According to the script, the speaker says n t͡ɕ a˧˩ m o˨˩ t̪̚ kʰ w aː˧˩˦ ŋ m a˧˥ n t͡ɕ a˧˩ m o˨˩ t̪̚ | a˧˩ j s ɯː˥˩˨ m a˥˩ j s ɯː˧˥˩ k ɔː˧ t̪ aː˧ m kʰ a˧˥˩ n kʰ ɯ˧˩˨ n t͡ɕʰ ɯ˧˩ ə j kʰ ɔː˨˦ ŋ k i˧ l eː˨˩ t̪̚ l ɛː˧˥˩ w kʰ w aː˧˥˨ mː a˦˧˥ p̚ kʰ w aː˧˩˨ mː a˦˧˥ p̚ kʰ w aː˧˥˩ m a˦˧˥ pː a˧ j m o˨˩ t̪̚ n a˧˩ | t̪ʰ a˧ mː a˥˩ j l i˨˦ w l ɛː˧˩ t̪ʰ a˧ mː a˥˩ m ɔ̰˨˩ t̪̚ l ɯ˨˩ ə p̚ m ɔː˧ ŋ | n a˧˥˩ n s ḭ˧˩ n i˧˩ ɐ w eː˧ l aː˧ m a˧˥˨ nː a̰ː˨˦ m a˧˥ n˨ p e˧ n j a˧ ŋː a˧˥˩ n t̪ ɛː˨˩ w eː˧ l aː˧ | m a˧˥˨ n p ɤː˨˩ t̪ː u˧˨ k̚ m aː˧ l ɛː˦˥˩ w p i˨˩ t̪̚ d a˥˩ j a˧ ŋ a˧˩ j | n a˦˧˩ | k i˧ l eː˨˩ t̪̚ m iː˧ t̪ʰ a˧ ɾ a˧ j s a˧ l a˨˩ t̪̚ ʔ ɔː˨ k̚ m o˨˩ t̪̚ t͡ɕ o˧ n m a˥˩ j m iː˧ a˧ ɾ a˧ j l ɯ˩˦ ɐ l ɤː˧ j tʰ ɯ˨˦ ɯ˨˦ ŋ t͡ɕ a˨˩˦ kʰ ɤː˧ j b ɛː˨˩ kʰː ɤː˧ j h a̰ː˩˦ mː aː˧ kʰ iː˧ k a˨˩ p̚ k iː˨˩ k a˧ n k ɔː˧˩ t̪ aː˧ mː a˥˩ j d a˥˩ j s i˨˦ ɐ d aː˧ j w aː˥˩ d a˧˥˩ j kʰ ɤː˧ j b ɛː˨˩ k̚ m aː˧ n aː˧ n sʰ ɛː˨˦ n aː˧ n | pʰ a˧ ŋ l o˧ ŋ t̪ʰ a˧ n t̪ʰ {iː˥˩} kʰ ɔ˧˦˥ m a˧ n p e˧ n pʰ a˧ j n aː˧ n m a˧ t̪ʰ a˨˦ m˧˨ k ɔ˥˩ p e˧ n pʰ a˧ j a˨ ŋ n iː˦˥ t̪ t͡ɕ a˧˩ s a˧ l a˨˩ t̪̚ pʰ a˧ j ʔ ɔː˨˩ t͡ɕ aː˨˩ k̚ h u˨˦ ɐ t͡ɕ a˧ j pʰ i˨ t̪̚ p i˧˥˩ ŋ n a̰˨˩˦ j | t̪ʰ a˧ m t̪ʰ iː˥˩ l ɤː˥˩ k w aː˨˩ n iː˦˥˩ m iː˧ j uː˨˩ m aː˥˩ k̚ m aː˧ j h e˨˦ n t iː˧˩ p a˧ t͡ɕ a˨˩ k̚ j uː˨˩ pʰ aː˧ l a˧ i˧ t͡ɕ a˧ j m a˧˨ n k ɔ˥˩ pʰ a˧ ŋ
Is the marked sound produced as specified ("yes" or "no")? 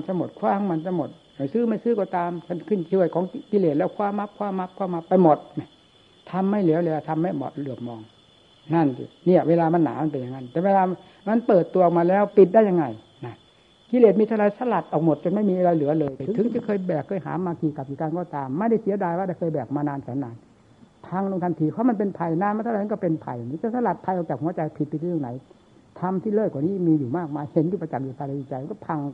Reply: no